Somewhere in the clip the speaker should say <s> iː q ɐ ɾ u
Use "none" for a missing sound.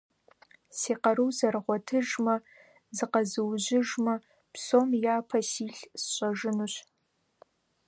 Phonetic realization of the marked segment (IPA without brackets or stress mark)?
s